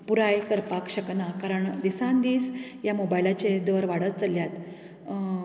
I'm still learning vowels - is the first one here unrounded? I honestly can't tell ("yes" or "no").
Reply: no